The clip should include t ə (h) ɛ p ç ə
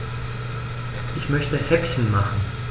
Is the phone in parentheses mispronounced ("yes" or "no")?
no